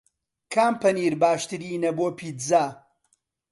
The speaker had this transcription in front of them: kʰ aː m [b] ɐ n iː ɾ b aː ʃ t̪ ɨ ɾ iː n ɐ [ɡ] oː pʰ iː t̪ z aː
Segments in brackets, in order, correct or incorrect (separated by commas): incorrect, incorrect